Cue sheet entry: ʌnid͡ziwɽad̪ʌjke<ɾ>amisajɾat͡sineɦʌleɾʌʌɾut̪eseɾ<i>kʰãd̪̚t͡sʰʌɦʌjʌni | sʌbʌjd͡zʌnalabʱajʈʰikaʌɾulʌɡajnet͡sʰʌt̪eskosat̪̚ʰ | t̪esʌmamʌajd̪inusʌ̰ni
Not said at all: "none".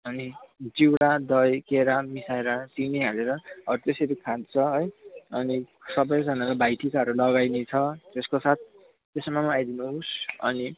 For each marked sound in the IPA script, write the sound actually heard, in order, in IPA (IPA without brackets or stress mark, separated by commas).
ɾ, i